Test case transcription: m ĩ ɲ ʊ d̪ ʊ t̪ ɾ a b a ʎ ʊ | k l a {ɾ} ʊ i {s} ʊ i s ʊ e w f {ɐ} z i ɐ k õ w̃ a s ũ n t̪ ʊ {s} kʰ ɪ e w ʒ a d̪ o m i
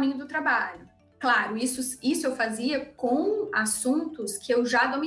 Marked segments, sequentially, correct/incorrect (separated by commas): correct, correct, incorrect, correct